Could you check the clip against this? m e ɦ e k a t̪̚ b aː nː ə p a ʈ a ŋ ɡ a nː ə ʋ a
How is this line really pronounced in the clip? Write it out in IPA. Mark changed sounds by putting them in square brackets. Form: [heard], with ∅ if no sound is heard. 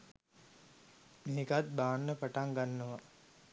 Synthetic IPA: m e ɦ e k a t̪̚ b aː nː ə p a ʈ a ŋ ɡ a nː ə ʋ a